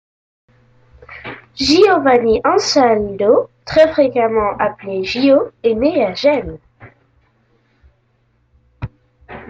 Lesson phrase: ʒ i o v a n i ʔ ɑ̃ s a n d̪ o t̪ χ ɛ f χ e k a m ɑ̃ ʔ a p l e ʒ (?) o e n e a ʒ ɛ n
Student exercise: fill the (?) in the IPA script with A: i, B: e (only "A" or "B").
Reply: A